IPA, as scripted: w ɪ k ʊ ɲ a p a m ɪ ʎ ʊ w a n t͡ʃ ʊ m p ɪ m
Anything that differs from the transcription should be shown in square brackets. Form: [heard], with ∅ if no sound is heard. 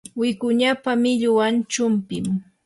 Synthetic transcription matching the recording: w ɪ k ʊ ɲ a p a m ɪ ʎ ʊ w a n t͡ʃ ʊ m p ɪ m